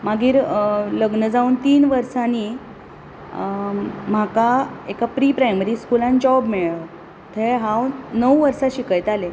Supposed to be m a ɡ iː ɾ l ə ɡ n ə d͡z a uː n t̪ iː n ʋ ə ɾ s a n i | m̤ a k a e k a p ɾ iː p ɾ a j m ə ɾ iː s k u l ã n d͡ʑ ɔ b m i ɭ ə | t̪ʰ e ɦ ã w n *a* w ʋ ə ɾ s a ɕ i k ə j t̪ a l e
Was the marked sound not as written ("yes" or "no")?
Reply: yes